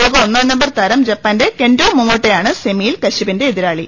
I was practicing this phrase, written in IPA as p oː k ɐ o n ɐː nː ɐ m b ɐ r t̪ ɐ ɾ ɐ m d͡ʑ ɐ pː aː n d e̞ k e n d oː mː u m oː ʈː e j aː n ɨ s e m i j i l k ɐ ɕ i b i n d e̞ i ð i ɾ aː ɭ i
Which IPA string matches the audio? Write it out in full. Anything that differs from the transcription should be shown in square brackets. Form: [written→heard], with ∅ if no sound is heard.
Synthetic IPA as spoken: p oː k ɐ o [n→nː] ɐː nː ɐ m b ɐ r t̪ ɐ ɾ ɐ m d͡ʑ ɐ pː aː n d e̞ k e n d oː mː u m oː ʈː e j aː [n→ɳ] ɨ s e m i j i l k ɐ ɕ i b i n d e̞ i ð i ɾ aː ɭ i

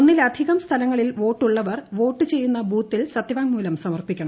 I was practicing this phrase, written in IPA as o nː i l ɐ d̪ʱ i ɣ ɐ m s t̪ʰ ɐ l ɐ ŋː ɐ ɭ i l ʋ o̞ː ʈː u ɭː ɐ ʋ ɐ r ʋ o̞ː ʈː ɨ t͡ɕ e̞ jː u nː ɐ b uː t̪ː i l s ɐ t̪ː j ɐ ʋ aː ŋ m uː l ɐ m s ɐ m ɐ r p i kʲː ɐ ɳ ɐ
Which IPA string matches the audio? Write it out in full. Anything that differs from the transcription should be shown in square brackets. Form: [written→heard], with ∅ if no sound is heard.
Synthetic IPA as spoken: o nː i l ɐ d̪ʱ i ɣ ɐ m s t̪ʰ ɐ l ɐ ŋː ɐ ɭ i l ʋ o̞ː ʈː u ɭː ɐ ʋ ɐ r ʋ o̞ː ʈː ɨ t͡ɕ e̞ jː u nː ɐ b uː t̪ː i l s ɐ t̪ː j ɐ ʋ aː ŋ m uː l ɐ m s ɐ m ɐ r p i kʲː ɐ ɳ ɐ

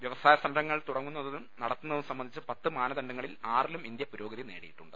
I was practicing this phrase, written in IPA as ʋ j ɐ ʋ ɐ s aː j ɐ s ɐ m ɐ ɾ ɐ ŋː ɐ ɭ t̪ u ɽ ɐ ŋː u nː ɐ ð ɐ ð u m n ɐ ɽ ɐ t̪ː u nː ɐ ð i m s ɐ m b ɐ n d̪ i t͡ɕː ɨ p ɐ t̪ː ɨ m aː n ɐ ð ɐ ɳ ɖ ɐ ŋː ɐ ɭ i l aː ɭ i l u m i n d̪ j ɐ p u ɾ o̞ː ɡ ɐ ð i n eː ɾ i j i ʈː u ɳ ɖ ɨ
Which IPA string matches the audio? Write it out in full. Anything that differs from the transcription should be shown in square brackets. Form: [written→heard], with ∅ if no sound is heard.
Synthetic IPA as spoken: ʋ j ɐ ʋ ɐ s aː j ɐ s ɐ m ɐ ɾ ɐ ŋː ɐ ɭ t̪ u ɽ ɐ ŋː u nː ɐ ð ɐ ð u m n ɐ ɽ ɐ t̪ː u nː ɐ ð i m s ɐ m b ɐ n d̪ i t͡ɕː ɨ p ɐ t̪ː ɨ m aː n ɐ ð ɐ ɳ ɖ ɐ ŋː ɐ ɭ i l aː [ɭ→r] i l u m i n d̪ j ɐ p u ɾ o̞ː ɡ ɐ ð i n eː [ɾ→ɽ] i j i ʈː u ɳ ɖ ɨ

